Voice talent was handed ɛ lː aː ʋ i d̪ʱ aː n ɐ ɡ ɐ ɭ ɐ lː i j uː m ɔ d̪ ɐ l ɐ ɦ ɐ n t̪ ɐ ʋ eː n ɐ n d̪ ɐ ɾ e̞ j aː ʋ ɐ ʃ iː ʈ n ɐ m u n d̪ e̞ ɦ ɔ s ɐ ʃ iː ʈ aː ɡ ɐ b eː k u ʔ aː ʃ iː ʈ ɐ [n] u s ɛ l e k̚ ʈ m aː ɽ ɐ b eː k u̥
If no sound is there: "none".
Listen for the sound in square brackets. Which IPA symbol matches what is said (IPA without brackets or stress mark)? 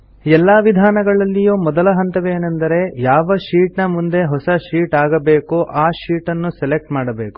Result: nː